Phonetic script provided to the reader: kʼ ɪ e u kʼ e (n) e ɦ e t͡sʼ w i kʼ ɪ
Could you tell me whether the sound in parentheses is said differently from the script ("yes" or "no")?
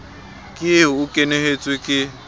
no